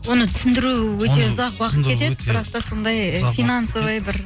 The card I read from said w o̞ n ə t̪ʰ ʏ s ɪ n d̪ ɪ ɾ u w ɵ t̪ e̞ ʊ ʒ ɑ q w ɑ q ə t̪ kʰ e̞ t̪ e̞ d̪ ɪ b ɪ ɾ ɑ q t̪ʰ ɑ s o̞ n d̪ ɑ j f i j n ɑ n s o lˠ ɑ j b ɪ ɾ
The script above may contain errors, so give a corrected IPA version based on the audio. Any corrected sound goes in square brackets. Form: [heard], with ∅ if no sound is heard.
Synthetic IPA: w o̞ n ə t̪ʰ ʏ s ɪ n d̪ ɪ ɾ u w ɵ t̪ e̞ ʊ [z] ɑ q w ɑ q ə t̪ kʰ e̞ t̪ e̞ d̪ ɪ b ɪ ɾ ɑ q [t̪] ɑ s o̞ n d̪ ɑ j f i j n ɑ n s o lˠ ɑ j b ɪ ɾ